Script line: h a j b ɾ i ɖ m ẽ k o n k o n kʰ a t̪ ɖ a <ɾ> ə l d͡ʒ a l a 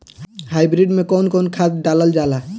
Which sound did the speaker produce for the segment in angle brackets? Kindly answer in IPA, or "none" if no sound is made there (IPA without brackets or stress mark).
l